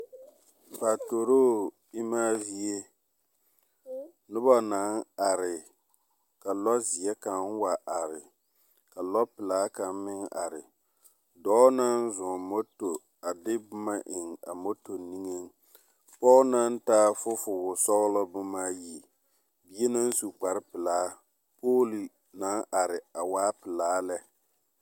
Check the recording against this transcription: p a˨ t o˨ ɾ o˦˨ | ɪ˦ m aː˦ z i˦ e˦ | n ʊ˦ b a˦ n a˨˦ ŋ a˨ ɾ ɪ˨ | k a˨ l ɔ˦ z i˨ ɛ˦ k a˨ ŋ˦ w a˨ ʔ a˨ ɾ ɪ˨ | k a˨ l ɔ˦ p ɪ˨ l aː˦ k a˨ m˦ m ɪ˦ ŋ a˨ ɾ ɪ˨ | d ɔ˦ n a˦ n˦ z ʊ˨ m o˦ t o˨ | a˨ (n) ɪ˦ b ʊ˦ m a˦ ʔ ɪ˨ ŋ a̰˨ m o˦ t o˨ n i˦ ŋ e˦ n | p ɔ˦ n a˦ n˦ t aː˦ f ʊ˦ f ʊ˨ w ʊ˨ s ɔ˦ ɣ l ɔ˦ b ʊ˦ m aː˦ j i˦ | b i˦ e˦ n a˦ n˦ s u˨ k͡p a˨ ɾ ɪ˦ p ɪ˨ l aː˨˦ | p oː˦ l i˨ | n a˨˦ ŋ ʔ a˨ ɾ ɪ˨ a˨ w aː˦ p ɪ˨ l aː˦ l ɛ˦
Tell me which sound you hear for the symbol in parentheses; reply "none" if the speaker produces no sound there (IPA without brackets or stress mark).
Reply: d